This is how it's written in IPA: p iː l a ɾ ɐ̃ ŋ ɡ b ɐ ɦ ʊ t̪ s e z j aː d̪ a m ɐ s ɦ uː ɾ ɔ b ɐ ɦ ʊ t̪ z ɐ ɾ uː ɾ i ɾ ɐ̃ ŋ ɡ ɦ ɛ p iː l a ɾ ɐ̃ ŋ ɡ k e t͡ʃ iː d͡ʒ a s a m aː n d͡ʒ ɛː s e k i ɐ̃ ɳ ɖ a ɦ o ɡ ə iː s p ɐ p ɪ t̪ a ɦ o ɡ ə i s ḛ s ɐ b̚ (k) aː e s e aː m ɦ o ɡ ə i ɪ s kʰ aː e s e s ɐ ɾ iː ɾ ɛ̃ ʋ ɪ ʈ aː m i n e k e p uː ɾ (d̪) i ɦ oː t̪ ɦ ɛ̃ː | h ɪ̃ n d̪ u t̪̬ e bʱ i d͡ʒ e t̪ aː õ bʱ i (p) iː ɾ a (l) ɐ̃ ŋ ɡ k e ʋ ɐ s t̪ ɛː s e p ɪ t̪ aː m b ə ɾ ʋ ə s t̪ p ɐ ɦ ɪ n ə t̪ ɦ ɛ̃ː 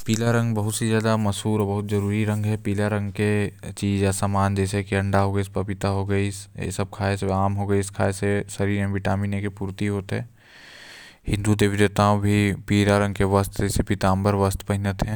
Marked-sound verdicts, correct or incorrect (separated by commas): incorrect, incorrect, correct, incorrect